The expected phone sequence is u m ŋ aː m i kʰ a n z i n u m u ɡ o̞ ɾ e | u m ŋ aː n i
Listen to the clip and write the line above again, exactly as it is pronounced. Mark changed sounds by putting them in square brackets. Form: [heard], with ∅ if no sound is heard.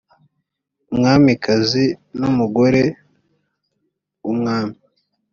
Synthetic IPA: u m ŋ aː m i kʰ a [∅] z i n u m u ɡ o̞ ɾ e | u m ŋ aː [m] i